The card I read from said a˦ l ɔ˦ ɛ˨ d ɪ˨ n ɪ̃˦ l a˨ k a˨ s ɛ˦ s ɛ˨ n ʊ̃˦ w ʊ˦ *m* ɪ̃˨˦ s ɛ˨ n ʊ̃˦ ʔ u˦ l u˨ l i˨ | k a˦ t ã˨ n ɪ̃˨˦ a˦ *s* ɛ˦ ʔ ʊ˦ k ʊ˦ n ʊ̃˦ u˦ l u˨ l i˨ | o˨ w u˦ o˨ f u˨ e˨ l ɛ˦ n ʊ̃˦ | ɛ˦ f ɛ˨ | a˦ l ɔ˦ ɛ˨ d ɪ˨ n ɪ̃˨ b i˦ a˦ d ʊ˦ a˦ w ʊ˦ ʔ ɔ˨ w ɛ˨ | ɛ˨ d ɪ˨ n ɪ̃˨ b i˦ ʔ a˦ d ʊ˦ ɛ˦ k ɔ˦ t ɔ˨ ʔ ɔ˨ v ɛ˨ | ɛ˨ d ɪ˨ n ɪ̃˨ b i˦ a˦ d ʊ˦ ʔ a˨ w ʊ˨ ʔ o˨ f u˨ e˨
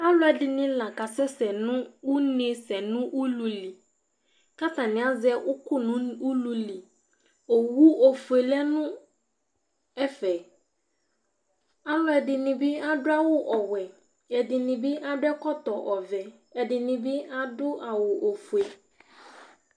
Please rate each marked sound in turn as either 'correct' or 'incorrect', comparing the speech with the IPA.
incorrect: n, incorrect: z

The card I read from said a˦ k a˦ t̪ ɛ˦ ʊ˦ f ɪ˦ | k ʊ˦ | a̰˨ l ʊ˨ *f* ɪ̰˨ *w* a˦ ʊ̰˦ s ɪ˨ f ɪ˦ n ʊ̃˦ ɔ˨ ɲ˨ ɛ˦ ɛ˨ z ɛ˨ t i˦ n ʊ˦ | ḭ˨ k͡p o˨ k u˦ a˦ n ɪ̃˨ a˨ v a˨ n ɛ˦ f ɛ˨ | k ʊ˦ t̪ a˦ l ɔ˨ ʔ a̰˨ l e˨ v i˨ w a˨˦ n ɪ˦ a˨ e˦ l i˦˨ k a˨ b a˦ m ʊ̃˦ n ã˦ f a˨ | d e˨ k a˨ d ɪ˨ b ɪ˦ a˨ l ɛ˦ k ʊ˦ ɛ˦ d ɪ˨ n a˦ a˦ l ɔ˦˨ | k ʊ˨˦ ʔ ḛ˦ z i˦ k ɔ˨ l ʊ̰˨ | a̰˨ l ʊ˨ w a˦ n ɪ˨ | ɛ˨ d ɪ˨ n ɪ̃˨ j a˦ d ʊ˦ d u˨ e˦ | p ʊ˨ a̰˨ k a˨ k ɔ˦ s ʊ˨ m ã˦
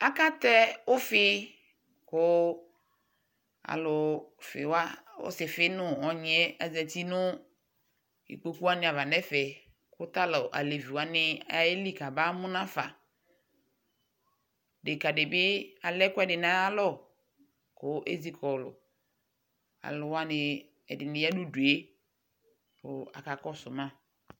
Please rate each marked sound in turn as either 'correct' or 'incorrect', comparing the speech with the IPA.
correct, correct

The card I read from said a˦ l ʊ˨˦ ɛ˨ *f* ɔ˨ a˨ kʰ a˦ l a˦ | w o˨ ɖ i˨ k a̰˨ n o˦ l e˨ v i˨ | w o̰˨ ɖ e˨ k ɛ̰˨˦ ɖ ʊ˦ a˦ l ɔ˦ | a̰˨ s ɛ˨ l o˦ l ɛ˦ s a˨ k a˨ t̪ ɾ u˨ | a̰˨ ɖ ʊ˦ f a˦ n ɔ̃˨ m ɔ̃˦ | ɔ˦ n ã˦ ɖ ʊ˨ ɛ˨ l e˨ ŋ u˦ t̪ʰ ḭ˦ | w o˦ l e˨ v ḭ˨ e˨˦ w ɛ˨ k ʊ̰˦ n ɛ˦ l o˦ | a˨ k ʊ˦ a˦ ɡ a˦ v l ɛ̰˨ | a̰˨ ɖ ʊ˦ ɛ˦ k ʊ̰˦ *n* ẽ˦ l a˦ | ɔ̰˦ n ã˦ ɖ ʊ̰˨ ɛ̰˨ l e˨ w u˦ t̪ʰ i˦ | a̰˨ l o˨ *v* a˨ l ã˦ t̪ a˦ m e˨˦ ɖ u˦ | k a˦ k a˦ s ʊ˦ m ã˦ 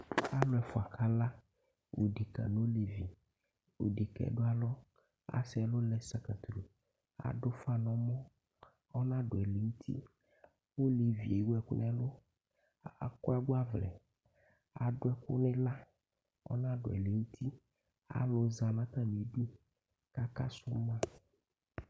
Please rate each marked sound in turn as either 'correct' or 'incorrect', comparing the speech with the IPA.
correct, correct, incorrect: z

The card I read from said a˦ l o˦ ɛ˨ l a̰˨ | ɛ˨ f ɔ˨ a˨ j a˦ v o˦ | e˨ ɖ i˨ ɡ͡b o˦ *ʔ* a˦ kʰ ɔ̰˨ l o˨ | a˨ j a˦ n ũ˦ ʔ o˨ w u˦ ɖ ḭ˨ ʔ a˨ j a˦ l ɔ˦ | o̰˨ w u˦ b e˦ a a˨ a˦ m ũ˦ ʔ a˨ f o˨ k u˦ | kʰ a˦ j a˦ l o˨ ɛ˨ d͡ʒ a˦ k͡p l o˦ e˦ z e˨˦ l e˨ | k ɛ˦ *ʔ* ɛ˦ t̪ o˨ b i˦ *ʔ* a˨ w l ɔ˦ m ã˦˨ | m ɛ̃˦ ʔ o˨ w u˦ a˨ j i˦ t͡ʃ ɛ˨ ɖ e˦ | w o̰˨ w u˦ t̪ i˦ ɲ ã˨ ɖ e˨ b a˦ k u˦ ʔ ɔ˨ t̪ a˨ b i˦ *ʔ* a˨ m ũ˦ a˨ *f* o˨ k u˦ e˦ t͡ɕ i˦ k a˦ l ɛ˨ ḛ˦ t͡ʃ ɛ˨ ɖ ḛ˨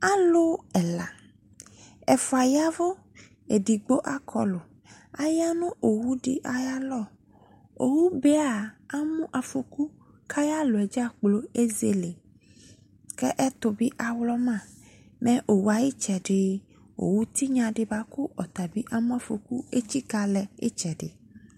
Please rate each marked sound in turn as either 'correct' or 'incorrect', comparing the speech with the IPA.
correct, correct, correct, correct, correct

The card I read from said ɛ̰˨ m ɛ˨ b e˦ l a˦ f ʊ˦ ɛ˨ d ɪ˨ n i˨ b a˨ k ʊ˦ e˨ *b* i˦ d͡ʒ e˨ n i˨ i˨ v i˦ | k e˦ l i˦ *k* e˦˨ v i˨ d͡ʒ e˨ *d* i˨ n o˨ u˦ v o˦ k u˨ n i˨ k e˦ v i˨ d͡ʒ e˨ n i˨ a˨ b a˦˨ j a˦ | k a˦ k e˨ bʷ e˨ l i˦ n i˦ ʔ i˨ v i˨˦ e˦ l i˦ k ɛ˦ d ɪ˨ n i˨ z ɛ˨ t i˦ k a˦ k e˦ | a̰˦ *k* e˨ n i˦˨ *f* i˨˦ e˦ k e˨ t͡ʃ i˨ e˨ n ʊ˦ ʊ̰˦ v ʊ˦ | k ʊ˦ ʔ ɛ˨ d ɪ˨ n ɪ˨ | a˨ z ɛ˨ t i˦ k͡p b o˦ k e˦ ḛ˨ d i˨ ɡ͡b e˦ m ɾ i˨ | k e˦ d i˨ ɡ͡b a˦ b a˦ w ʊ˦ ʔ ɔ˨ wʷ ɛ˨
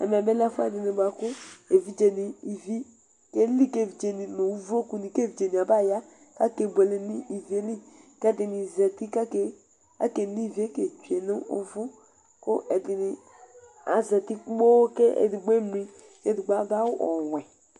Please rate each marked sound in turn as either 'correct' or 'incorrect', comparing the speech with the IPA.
incorrect: v, correct, incorrect: n, correct, incorrect: v

